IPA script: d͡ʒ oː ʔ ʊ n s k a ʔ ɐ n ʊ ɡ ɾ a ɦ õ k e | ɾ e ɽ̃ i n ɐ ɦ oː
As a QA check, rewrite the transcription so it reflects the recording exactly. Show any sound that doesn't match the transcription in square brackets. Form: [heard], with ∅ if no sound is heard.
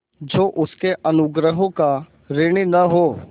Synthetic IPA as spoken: d͡ʒ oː ʔ ʊ [∅] s k [e] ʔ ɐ n ʊ ɡ ɾ [ə] ɦ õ k [a] | ɾ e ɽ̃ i n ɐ ɦ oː